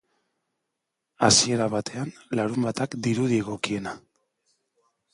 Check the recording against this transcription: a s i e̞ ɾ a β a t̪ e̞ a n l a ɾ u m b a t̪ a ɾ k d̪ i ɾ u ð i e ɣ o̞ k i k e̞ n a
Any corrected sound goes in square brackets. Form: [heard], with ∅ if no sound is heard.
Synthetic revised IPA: a s i e̞ ɾ a β a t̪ e̞ a n l a ɾ u m b a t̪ a [∅] k d̪ i ɾ u ð i e ɣ o̞ k i [∅] e̞ n a